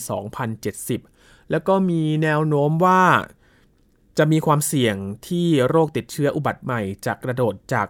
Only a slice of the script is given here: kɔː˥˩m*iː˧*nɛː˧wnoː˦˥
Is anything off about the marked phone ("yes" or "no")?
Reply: no